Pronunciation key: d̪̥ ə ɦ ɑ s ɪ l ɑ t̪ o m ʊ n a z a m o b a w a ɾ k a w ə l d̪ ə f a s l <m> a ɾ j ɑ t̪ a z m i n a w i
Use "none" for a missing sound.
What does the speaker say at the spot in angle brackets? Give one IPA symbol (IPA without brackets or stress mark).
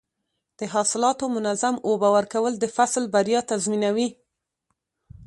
b